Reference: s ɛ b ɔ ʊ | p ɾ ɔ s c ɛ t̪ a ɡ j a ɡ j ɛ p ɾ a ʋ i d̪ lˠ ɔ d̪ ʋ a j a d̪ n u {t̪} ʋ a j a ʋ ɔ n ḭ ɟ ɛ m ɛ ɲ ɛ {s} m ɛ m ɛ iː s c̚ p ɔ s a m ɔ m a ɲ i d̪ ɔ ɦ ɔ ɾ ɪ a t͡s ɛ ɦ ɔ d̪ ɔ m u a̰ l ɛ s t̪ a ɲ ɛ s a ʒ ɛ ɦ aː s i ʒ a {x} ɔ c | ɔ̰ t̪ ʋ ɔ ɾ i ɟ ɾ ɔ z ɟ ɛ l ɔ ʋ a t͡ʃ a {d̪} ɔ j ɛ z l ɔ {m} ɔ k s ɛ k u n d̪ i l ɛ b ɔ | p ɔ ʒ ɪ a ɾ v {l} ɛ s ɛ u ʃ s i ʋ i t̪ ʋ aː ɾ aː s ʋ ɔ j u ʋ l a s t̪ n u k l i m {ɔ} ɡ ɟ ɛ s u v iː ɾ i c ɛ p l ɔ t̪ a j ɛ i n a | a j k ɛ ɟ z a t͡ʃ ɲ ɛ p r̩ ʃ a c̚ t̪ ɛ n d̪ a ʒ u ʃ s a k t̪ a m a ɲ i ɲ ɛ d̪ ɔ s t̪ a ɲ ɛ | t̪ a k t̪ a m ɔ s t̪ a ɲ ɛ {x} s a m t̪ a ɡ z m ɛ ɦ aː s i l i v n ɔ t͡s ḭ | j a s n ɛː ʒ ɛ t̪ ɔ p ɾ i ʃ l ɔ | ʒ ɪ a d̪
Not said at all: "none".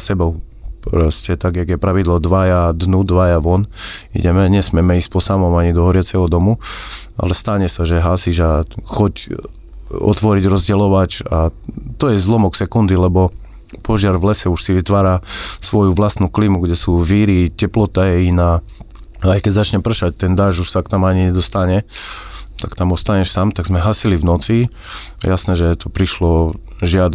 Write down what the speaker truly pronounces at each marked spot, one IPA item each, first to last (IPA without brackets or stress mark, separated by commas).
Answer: d̪, s, x, t̪, m, l, u, ʃ